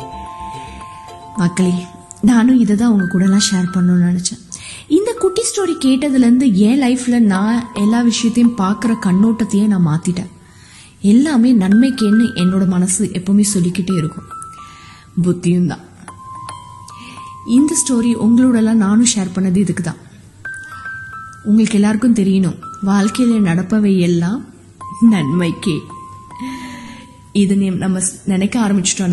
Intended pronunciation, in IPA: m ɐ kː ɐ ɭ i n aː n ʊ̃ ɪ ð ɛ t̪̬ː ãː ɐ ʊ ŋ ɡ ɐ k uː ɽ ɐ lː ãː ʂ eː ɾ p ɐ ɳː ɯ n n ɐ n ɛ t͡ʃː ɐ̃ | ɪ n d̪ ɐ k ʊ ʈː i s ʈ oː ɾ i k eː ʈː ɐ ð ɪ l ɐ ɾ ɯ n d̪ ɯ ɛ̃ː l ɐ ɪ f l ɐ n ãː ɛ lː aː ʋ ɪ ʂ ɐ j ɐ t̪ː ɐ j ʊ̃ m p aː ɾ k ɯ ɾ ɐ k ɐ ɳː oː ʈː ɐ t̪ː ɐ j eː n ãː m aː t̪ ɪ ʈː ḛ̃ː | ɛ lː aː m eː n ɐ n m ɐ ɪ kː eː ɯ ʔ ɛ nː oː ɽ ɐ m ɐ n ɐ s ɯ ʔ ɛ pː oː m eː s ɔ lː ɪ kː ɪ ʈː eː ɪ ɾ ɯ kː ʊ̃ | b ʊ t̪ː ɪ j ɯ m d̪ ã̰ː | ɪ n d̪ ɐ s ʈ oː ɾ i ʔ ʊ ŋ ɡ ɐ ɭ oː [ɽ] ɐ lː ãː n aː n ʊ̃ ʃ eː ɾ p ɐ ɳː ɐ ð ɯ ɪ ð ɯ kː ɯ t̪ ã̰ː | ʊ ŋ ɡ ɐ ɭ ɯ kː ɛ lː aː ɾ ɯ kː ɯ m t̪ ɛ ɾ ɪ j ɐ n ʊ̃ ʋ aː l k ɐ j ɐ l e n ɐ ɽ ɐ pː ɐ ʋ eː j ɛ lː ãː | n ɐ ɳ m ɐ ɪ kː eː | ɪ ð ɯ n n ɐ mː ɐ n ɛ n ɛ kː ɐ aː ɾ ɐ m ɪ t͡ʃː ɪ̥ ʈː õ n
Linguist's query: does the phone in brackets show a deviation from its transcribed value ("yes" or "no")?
no